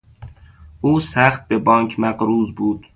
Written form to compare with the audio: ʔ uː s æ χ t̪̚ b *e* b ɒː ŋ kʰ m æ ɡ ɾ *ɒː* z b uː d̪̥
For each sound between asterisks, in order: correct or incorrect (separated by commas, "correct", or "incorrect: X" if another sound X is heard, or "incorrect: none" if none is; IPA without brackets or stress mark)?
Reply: correct, incorrect: uː